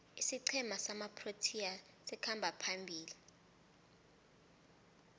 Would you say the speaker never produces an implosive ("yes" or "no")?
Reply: yes